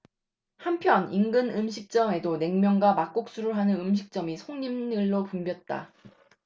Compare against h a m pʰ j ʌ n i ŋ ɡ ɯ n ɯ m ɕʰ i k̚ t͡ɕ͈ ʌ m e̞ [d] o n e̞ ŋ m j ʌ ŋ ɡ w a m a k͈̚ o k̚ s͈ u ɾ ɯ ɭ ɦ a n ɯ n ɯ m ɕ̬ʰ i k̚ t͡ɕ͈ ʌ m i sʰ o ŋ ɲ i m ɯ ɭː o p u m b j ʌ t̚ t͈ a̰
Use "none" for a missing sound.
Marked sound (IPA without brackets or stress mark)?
d